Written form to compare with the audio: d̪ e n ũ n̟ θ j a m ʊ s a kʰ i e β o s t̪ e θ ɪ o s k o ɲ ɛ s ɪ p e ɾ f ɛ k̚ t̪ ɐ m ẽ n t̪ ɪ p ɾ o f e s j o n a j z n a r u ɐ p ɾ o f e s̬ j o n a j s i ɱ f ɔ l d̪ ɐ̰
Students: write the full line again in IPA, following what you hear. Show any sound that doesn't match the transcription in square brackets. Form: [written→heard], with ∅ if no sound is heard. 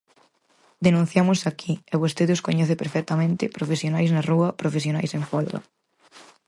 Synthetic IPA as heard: d̪ e n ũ n̟ θ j a m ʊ s a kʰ i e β o s t̪ e [θ→ð] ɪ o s k o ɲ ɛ [s→θ] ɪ p e ɾ f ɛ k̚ t̪ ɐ m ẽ n t̪ ɪ p ɾ o f e s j o n a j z n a r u ɐ p ɾ o f e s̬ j o n a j s [i→e] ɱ f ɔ l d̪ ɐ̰